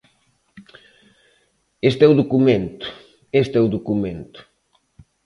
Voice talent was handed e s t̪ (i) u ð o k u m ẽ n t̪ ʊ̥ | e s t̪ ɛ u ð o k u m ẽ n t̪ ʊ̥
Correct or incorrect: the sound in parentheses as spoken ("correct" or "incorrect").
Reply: incorrect